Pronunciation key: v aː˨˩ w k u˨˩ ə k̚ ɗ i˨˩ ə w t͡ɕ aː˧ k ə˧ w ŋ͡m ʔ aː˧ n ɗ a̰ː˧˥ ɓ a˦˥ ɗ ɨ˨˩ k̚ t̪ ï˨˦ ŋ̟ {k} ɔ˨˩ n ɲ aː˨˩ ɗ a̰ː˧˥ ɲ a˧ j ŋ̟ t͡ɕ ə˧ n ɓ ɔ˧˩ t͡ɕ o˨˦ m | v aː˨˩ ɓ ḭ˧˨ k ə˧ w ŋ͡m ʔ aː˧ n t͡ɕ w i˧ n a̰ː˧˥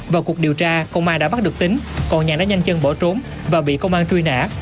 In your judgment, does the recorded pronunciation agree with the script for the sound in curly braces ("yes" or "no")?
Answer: yes